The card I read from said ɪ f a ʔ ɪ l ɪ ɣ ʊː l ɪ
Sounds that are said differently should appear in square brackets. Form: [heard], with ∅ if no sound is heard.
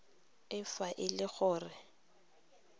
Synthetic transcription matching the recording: ɪ f a ʔ ɪ l ɪ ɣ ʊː [r] ɪ

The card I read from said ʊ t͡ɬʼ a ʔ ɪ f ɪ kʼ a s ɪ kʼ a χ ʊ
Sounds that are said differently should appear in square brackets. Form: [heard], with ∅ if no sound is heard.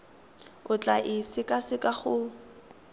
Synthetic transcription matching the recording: ʊ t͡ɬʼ a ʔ ɪ [s] ɪ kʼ a s ɪ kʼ a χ ʊ

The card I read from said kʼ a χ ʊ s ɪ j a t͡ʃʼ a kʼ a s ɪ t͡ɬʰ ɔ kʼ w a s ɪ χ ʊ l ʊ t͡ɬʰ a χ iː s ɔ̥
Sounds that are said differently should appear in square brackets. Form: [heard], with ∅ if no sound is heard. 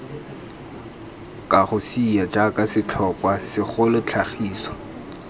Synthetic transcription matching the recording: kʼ a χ ʊ s [i] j a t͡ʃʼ a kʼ a s ɪ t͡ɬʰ ɔ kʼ w a s ɪ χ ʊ l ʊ t͡ɬʰ a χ iː s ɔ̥

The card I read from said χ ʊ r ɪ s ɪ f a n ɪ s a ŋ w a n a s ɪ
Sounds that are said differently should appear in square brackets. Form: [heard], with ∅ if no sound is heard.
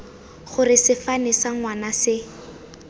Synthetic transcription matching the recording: χ ʊ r ɪ s ɪ f a n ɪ s a ŋ w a n a s ɪ

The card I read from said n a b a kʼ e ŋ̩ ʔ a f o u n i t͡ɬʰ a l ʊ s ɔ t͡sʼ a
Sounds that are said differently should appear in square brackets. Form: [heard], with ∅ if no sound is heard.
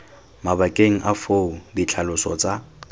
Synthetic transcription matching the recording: [m] a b a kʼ e ŋ̩ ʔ a f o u [d] i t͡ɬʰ a l ʊ s ɔ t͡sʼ a

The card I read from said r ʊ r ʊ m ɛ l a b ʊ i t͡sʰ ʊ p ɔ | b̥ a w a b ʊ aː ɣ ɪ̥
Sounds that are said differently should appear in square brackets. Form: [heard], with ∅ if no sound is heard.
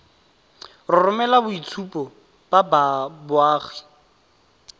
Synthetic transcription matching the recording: r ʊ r ʊ m ɛ l a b ʊ i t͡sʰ [u] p ɔ | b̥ a [b] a b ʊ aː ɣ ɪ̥

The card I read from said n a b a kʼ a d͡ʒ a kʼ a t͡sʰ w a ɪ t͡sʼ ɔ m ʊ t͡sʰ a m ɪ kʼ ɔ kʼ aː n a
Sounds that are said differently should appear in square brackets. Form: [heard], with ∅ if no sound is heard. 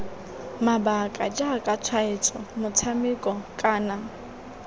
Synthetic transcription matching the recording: [m] a b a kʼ a d͡ʒ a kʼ a t͡sʰ w a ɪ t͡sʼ ɔ m ʊ t͡sʰ a m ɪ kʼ ɔ kʼ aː n a

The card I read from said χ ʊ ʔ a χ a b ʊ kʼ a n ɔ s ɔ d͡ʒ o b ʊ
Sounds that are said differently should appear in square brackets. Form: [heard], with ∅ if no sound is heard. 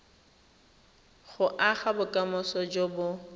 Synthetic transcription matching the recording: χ ʊ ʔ a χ a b ʊ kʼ a [m] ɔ s ɔ d͡ʒ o b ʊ

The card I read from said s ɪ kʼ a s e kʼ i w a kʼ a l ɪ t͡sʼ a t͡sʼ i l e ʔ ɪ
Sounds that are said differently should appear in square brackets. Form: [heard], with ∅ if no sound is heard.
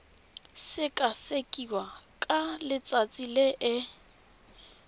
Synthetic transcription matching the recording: s ɪ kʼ a s e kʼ i w a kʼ a l ɪ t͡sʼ a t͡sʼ i l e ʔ ɪ

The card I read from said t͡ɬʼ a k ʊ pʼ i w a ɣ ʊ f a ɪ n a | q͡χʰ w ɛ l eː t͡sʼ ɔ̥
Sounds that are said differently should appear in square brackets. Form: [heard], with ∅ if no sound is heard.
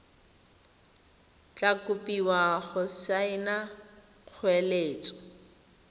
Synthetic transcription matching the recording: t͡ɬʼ a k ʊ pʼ i w a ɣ ʊ [s] a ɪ n a | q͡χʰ w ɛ l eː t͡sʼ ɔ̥

